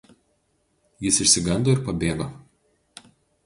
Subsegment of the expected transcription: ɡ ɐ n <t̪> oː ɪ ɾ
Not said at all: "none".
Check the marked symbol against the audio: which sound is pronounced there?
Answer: d̪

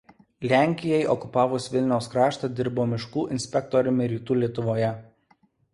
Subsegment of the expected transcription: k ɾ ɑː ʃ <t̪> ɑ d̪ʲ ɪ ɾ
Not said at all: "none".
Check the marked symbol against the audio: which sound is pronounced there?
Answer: t̪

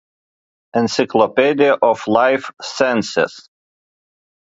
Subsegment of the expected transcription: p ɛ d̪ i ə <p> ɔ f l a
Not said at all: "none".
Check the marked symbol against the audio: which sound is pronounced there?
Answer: ʔ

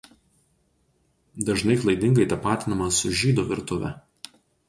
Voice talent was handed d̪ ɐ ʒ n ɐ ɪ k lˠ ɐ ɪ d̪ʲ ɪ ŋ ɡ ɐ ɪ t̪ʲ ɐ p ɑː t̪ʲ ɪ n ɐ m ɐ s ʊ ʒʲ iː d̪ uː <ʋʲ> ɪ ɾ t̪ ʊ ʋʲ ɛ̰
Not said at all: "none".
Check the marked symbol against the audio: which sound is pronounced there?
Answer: ʋʲ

